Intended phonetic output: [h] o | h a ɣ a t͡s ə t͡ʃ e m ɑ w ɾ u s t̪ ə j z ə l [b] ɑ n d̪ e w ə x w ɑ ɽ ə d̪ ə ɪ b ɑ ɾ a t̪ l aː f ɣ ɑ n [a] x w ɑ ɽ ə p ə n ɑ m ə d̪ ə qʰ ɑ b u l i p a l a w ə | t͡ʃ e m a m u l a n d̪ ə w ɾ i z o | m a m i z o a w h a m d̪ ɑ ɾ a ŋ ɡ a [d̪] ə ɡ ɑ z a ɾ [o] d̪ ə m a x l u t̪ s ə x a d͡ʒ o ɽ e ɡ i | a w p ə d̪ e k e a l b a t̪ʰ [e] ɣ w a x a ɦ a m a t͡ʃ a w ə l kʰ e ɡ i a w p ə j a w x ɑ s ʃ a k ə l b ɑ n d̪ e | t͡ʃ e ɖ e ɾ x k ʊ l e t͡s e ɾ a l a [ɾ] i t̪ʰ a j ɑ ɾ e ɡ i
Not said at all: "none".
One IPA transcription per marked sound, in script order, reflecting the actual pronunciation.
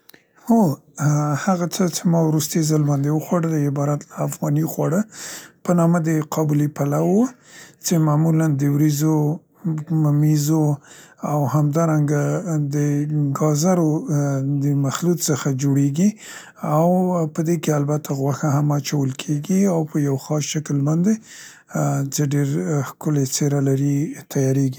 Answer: h, b, i, d̪, o, a, ɾ

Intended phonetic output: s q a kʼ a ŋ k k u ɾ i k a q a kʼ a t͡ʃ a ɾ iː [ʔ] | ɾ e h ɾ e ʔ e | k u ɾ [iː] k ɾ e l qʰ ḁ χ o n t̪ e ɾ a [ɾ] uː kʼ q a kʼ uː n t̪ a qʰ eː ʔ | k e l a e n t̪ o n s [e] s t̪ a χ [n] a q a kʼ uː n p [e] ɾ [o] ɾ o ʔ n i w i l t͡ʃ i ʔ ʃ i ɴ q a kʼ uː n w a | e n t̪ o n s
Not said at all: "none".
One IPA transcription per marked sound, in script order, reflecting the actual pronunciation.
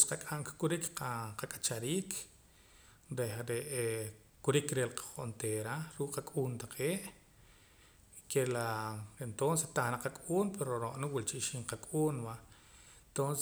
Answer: k, i, ɾ, e, n, e, o

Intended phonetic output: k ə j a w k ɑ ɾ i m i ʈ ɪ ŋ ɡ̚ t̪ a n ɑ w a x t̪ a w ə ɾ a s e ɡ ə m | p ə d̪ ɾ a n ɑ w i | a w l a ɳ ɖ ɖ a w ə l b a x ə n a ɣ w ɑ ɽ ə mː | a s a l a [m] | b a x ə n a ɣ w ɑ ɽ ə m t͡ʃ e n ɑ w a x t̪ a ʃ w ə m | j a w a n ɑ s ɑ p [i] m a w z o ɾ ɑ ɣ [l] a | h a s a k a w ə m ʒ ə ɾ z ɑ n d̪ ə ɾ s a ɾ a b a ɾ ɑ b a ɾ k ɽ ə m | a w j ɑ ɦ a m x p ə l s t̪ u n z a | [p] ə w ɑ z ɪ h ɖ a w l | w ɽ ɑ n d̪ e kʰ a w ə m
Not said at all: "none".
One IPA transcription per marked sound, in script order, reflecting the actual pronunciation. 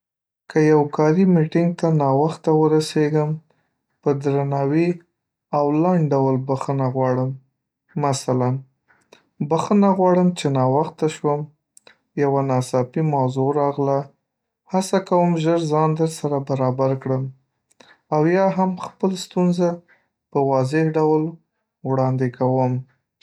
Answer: n, i, l, p

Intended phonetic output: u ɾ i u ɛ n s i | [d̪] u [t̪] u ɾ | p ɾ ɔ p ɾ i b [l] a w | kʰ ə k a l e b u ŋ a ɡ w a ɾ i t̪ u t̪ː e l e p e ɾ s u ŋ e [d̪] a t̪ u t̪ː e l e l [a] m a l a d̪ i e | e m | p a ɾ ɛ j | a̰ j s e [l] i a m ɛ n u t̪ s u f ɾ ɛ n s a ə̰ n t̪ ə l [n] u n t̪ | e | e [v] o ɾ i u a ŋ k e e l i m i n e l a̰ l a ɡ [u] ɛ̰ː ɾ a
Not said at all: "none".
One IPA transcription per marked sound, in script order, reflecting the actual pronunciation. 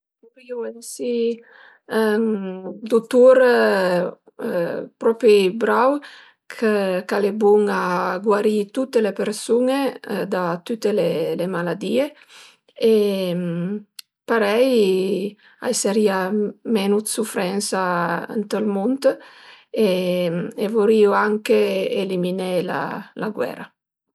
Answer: d̪, t̪, ɾ, d̪, e, ɾ, m, v, w

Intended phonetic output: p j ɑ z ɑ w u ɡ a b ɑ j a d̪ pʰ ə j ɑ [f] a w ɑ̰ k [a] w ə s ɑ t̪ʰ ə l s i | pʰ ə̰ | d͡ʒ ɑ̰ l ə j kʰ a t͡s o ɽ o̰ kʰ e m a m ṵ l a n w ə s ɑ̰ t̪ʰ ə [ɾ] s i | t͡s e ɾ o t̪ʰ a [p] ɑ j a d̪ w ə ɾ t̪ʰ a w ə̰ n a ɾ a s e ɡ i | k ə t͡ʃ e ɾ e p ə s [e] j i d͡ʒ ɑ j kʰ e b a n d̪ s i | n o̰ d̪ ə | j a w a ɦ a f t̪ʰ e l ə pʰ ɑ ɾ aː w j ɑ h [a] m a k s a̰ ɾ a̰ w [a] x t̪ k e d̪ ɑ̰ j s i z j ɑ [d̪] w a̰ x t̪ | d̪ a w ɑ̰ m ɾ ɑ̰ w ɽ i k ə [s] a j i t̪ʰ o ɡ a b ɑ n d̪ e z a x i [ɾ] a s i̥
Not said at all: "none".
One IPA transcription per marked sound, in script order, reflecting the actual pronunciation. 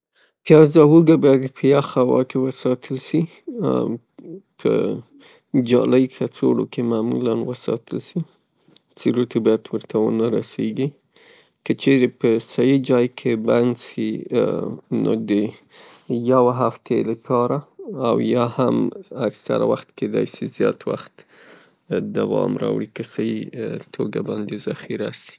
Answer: x, e, l, b, a, a, a, t̪, s, ɾ

